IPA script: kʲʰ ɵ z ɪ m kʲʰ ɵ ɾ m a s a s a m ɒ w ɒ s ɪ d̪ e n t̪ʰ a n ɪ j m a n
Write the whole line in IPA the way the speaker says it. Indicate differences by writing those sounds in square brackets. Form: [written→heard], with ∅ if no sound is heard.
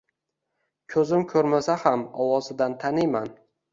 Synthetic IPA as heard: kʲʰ ɵ z ɪ m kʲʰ ɵ ɾ m a s a [s→h] a m ɒ w ɒ [s→z] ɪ d̪ [e→a] n t̪ʰ a n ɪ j m a n